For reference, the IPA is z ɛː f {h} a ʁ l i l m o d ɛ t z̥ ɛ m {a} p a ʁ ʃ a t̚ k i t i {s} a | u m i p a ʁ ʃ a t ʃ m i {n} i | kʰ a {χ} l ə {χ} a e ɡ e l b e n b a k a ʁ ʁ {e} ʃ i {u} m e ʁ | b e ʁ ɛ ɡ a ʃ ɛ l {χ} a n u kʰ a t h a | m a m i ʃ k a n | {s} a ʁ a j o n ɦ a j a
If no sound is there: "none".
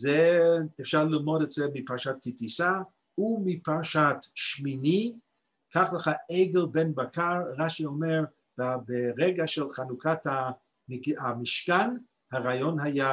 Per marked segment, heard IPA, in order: ʃ, i, s, n, χ, χ, a, o, χ, h

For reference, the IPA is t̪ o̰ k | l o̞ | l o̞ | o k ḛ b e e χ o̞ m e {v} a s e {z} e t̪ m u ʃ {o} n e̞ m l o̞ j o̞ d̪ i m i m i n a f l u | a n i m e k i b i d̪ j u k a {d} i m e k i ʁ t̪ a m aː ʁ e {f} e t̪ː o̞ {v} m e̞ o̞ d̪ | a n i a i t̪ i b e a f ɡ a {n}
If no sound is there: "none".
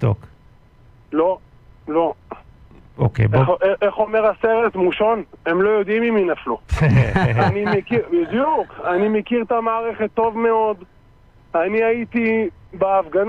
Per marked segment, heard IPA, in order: ʁ, ʁ, o, n, χ, v, n

